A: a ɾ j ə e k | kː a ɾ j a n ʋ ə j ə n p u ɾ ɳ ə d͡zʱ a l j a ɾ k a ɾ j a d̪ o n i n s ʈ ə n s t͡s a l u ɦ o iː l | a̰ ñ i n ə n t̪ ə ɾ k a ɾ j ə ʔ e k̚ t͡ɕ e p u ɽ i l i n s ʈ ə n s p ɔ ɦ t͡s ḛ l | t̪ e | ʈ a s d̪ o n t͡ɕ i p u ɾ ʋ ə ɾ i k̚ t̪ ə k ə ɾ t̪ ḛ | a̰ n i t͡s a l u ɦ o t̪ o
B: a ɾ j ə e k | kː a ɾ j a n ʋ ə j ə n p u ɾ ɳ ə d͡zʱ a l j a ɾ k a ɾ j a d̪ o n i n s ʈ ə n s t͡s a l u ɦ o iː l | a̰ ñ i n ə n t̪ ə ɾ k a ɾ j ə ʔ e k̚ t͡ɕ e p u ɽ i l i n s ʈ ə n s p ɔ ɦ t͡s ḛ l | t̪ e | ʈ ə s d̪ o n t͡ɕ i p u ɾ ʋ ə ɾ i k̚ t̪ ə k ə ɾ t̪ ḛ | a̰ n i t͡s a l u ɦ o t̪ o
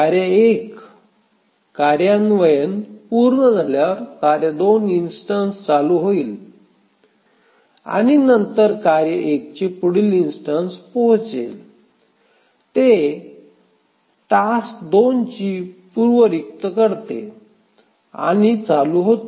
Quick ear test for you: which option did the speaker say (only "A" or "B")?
A